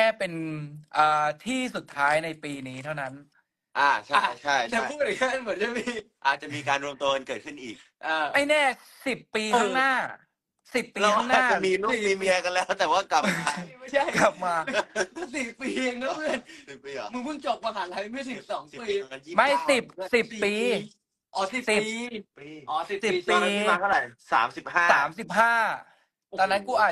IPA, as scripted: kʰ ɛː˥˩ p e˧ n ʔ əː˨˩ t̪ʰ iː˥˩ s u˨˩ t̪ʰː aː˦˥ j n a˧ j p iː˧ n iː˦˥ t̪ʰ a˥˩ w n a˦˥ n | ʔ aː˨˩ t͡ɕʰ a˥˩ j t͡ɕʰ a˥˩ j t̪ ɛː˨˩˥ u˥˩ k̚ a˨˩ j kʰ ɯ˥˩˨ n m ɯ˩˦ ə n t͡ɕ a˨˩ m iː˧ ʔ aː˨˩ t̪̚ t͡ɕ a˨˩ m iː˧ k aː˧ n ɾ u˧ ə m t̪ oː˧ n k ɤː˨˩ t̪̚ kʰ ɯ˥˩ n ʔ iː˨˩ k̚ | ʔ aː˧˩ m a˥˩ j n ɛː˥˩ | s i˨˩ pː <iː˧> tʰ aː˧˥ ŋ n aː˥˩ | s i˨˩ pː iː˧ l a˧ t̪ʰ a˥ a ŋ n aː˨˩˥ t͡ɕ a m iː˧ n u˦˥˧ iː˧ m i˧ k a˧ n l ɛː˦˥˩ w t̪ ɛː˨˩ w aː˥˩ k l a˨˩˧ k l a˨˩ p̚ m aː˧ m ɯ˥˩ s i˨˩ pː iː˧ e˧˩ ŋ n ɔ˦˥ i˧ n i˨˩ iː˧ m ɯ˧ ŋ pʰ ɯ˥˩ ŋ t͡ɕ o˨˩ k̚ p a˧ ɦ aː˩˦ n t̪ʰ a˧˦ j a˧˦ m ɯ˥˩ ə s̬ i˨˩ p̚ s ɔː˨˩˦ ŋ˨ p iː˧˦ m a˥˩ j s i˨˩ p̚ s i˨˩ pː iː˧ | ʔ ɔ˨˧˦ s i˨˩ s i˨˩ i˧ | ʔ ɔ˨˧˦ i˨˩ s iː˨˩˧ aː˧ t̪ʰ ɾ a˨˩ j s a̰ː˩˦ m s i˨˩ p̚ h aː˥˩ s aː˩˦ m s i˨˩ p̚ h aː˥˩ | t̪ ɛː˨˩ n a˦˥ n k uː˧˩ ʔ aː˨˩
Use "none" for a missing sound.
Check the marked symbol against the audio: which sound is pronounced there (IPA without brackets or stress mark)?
iː˧